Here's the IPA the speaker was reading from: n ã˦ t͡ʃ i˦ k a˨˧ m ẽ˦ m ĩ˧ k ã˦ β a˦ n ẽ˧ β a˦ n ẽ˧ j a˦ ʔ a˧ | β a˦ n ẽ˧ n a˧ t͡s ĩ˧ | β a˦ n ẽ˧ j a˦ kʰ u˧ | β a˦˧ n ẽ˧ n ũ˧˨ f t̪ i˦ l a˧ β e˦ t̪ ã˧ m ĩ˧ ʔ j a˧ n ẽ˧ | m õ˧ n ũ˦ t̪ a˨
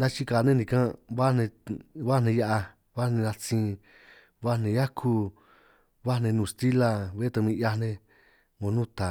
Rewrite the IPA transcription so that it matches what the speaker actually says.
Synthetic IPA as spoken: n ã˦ t͡ʃ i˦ k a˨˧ n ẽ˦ n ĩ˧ k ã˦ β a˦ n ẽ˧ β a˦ n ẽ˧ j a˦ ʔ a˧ | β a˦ n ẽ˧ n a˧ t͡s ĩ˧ | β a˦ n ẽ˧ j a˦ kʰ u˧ | β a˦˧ n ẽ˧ n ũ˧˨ s t̪ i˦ l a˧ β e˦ t̪ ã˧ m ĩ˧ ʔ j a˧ n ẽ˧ | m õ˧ n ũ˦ t̪ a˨